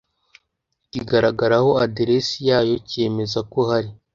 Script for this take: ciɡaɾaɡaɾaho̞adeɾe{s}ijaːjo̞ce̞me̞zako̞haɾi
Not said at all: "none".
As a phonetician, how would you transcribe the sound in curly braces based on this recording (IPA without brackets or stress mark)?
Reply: s